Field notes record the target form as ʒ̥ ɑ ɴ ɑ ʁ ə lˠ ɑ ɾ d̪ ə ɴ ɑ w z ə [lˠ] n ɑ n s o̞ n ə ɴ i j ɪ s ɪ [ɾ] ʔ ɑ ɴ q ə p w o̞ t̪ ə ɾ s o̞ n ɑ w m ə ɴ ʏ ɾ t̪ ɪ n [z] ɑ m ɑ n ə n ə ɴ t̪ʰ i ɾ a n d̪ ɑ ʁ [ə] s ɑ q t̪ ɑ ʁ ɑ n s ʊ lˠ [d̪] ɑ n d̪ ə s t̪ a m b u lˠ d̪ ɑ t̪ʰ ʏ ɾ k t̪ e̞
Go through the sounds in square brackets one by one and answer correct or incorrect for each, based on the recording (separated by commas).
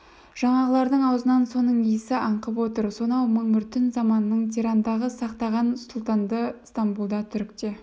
incorrect, incorrect, correct, correct, incorrect